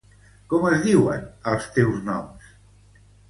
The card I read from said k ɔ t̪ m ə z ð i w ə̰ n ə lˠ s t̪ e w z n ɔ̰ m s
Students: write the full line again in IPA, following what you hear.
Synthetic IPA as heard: k ɔ m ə z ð i w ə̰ n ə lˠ s t̪ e w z n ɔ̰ m s